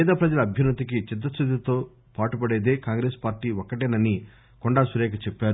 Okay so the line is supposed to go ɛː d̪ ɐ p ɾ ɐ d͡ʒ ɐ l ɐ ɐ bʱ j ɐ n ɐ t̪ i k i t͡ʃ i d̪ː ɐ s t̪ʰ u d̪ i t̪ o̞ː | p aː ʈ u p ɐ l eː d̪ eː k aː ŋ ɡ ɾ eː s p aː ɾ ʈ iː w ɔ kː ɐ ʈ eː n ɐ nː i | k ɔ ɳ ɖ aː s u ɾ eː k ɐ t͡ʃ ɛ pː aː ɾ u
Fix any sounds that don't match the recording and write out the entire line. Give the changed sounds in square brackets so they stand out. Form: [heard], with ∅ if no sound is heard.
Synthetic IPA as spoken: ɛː d̪ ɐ p ɾ ɐ d͡ʒ ɐ l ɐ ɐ bʱ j ɐ n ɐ t̪ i k i t͡ʃ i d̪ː ɐ s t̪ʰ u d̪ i t̪ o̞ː | p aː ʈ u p ɐ [ɽ] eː d̪ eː k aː ŋ ɡ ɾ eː s p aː ɾ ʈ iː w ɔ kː ɐ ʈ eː n ɐ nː i | k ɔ ɳ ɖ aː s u ɾ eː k ɐ t͡ʃ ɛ pː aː ɾ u